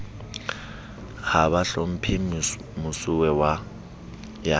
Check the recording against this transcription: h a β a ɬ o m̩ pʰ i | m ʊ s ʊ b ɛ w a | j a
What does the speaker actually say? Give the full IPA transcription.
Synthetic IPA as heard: h a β a ɬ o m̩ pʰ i | m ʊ s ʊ w ɛ w a | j a

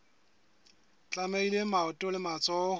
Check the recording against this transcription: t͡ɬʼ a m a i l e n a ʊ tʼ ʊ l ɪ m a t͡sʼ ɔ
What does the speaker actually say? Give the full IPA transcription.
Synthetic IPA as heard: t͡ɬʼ a m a i l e m a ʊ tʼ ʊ l ɪ m a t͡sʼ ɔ

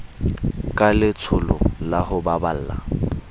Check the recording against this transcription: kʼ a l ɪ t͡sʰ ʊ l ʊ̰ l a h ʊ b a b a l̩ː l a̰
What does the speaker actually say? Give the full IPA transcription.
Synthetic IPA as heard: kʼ a l ɪ t͡sʰ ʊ l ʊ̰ l a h ʊ b a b a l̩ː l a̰

